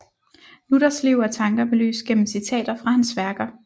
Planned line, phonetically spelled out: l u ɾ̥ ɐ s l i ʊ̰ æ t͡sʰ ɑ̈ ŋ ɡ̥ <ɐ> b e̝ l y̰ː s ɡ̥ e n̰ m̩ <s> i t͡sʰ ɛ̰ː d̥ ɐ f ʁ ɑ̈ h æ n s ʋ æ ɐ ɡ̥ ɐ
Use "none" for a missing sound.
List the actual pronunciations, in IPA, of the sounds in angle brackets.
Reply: ɐ, s

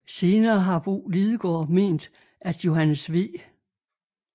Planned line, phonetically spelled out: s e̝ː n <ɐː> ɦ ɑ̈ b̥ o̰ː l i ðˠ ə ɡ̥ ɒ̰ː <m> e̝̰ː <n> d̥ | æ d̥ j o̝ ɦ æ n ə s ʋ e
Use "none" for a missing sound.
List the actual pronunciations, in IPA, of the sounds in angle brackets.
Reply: ɐː, m, n

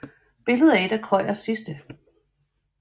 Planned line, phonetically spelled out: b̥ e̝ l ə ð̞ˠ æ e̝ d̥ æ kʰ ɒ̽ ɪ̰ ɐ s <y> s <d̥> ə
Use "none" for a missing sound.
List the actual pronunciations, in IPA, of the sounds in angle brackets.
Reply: i, d̥

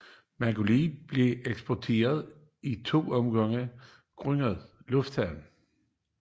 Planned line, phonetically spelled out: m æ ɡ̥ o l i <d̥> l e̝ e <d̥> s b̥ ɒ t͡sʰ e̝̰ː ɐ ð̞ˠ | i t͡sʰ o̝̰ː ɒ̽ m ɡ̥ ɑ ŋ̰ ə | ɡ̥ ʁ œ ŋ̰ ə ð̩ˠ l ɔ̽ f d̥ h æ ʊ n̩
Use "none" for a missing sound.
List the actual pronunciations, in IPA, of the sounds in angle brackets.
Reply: b̥, ɡ̥

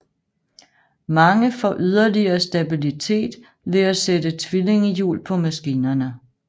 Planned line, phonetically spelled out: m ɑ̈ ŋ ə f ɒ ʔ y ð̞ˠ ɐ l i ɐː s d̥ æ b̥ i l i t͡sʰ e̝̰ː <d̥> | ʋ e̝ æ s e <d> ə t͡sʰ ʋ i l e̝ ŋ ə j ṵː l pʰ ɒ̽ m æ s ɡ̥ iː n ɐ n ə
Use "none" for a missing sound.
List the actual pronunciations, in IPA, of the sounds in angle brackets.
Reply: d̥, d

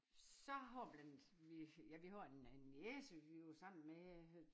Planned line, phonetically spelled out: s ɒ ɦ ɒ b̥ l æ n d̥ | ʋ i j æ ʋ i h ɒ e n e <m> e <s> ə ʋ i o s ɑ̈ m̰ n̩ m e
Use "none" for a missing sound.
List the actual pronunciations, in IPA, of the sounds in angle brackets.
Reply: n, s

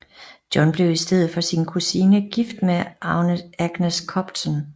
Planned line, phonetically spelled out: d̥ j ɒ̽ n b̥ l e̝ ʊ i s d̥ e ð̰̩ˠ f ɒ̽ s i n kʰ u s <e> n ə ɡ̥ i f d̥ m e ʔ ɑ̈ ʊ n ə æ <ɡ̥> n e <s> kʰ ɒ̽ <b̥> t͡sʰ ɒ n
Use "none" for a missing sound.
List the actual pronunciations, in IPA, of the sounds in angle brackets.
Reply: i, ɡ̥, s, b̥

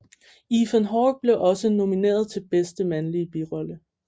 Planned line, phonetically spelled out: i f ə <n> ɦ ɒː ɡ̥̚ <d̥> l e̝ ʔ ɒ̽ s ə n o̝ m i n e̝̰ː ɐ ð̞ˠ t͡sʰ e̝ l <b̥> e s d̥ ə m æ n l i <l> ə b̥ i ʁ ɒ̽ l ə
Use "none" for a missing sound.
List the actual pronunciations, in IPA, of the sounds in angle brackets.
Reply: n, b̥, b̥, none

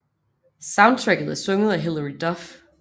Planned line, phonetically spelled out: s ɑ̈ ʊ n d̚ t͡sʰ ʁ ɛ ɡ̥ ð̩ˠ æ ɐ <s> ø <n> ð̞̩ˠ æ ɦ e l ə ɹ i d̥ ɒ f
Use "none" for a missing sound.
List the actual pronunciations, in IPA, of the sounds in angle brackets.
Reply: s, ŋ

